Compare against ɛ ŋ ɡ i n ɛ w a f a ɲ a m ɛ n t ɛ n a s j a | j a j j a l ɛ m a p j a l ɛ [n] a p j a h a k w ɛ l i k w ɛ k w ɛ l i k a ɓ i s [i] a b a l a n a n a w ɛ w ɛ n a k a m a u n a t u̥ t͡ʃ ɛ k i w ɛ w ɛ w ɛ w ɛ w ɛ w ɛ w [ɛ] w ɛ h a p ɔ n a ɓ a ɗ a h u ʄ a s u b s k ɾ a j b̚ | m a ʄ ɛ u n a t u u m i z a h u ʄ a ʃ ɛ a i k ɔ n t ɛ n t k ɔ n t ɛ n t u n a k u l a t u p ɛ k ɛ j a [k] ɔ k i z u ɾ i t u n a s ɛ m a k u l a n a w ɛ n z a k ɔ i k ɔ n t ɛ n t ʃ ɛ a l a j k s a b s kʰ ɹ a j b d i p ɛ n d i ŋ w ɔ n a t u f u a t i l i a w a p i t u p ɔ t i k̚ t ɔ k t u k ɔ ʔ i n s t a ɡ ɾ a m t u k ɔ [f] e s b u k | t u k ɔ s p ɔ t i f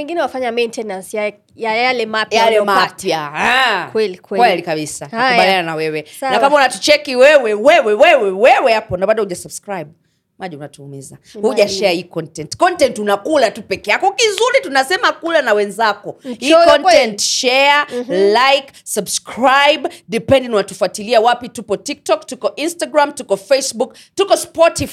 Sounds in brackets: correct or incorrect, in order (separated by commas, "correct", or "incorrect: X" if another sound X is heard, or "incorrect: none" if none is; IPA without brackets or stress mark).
incorrect: m, incorrect: a, correct, correct, correct